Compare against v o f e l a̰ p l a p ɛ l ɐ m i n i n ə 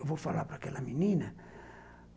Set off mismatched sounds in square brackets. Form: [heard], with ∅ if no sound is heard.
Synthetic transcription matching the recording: v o f [a] l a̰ p [ɾ] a [k] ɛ l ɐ m i n i n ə